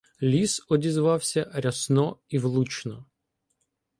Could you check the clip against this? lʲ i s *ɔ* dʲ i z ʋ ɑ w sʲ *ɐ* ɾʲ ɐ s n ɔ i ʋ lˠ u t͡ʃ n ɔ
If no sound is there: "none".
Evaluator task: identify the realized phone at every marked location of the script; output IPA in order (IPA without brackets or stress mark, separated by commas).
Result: ɔ, ɐ